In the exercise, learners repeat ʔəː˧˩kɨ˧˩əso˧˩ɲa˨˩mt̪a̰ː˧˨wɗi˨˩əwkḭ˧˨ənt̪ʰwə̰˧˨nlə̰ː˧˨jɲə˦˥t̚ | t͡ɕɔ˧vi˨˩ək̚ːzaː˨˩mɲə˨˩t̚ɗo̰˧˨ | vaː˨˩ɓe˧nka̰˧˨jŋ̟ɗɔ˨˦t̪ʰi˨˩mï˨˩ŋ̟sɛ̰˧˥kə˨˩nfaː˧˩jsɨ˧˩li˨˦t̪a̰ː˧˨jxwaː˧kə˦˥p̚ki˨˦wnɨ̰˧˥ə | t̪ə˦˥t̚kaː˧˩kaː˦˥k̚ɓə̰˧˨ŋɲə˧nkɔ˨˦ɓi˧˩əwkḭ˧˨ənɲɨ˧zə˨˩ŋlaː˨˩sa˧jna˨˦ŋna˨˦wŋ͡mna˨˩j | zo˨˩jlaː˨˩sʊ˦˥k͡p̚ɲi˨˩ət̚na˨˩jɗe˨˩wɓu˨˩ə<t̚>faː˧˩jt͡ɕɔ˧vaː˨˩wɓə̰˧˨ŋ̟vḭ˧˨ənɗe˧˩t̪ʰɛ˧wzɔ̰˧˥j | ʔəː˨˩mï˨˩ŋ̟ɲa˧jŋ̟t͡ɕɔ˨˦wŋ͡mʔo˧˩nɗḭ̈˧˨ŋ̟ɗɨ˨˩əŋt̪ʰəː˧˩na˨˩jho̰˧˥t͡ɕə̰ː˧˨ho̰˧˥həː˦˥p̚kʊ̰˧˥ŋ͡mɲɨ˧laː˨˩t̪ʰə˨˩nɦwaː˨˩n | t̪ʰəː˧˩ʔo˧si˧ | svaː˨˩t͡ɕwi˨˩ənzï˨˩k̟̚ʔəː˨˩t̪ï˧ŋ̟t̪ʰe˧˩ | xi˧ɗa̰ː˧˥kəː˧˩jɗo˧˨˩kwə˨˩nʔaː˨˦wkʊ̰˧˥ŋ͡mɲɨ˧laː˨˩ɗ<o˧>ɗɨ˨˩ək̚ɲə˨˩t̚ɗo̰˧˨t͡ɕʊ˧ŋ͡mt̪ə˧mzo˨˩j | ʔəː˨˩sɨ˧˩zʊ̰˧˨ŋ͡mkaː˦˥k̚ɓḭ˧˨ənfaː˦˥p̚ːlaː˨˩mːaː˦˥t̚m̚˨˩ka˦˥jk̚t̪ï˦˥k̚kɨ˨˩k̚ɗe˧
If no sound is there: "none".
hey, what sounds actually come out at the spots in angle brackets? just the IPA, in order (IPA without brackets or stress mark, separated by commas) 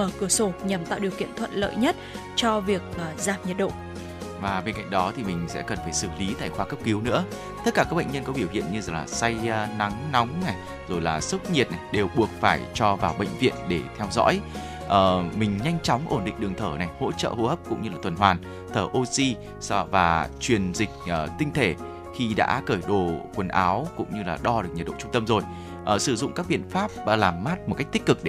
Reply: k̚, ɔ˧